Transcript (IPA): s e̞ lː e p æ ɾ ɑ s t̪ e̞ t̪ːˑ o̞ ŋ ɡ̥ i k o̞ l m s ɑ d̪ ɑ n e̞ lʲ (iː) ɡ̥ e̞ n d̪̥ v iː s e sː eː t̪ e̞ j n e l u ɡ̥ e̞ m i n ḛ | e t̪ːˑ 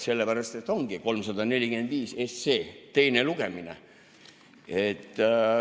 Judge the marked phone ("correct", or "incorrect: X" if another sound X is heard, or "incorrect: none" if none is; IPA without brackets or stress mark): incorrect: i